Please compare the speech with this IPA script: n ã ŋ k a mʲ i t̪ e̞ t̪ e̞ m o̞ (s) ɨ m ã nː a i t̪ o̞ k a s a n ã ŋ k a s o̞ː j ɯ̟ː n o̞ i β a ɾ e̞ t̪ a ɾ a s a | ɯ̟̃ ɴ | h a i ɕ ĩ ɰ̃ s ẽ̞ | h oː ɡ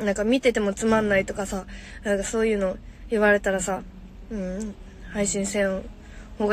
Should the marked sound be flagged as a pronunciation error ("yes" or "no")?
yes